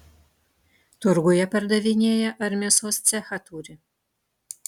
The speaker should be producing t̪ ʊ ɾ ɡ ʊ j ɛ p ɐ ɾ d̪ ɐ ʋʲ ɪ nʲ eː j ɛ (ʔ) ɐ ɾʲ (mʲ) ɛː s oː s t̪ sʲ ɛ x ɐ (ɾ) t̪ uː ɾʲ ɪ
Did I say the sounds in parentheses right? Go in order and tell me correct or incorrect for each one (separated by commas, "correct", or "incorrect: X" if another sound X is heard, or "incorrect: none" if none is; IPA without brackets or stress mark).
correct, correct, incorrect: none